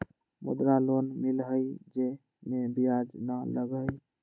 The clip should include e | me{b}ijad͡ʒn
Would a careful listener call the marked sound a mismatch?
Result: no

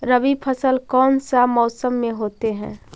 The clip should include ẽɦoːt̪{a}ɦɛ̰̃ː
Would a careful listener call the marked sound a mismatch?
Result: yes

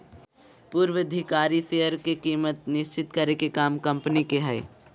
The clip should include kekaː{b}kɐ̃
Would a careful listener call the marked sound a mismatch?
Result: yes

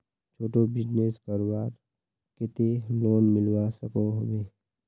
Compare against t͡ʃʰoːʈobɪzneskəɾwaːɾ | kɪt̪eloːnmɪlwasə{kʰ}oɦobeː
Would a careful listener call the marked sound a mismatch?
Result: yes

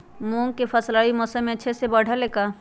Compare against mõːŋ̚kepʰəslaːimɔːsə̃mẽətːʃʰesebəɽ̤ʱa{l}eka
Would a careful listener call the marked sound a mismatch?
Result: no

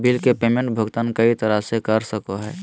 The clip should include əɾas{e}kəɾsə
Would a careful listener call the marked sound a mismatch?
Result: no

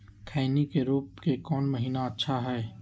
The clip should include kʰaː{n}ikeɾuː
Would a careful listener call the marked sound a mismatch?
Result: no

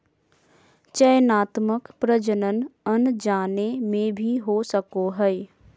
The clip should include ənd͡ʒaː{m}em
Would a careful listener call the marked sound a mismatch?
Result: yes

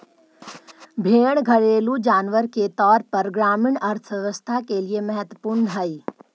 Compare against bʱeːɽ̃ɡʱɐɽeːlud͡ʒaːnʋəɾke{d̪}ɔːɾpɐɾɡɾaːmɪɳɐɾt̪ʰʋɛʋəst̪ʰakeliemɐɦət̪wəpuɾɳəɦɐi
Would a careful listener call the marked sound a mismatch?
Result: yes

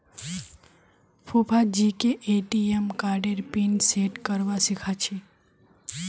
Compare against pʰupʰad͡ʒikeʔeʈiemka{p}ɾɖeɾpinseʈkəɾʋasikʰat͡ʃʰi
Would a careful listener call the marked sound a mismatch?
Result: yes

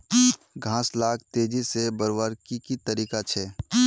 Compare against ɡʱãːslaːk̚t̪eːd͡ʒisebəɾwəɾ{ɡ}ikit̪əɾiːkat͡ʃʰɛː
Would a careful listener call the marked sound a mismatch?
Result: yes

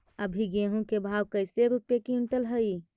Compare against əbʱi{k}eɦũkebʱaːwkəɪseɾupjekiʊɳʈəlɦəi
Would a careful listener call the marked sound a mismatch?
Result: yes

